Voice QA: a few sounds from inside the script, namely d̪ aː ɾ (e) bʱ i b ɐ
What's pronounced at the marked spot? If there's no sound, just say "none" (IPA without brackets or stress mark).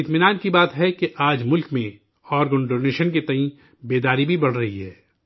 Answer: i